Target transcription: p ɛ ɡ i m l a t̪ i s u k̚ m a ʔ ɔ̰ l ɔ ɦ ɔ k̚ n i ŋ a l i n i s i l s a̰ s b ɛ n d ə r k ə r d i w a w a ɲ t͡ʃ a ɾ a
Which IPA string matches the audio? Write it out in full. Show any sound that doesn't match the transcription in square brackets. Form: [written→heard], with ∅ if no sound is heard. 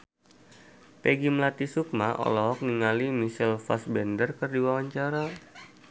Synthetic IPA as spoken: p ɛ ɡ i m l a t̪ i s u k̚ m a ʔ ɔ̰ l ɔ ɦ ɔ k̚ n i ŋ a l i [n→m] i s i l [s→f] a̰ s b ɛ n d ə r k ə r d i w a w a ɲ t͡ʃ a ɾ a